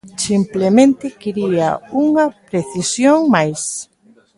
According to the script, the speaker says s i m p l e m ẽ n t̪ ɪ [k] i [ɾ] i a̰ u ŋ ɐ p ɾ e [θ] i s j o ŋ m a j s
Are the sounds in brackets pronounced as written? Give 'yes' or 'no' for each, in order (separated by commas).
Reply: yes, yes, yes